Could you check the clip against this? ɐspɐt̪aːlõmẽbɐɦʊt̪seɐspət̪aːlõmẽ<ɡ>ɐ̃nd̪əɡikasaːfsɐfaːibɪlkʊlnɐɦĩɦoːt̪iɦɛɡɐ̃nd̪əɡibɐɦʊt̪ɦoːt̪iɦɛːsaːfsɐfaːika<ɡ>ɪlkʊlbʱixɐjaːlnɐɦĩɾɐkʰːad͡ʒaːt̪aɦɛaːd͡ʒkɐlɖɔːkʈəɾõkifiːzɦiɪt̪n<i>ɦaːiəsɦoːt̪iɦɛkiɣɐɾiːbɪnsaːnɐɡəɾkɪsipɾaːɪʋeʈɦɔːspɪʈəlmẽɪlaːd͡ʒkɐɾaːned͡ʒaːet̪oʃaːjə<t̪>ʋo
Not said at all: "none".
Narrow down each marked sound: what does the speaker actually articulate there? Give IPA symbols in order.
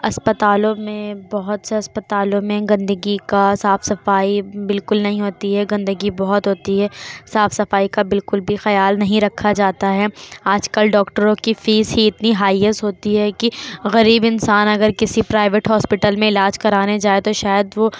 ɡ, b, i, d̪

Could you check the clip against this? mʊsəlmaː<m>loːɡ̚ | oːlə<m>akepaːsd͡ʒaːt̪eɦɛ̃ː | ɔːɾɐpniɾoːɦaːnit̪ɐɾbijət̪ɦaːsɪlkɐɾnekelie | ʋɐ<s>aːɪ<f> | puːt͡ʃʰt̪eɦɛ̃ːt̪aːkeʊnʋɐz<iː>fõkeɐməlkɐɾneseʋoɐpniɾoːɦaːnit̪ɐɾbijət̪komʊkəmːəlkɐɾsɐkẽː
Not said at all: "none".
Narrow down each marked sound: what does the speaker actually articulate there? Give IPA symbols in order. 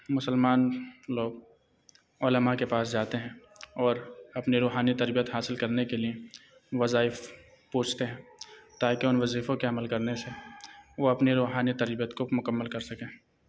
n, m, z, f, iː

